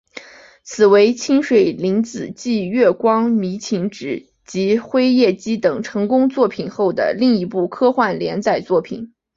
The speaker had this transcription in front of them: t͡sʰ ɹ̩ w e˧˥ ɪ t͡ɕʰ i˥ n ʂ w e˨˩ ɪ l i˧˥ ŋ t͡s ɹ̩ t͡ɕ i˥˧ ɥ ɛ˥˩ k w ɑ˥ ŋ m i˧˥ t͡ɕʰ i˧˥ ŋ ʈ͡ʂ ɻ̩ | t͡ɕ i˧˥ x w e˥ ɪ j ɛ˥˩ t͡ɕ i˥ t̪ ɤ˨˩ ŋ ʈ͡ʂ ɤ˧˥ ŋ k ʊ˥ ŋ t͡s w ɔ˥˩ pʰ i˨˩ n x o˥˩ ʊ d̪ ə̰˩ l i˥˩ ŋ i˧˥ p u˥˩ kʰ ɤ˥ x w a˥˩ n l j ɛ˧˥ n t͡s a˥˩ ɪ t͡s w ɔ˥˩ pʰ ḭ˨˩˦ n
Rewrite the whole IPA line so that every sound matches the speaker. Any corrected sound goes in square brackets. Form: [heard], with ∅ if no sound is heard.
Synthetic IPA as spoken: t͡sʰ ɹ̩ w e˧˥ ɪ t͡ɕʰ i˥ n ʂ w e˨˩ ɪ l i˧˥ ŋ t͡s ɹ̩ t͡ɕ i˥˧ ɥ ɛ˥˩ k w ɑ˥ ŋ m i˧˥ t͡ɕʰ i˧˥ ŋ ʈ͡ʂ ɻ̩ | t͡ɕ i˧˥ x w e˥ ɪ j ɛ˥˩ t͡ɕ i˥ t̪ ɤ˨˩ ŋ [ʈ͡ʂʰ] ɤ˧˥ ŋ k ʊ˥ ŋ t͡s w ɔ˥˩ pʰ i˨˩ n x o˥˩ ʊ d̪ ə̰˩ l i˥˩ ŋ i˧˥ p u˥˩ kʰ ɤ˥ x w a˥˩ n l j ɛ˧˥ n t͡s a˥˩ ɪ t͡s w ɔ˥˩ pʰ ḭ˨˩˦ n